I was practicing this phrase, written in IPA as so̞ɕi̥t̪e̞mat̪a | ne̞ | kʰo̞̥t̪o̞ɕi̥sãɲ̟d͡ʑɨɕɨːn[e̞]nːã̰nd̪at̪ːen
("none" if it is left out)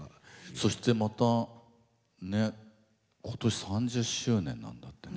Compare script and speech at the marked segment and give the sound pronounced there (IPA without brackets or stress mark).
ẽ̞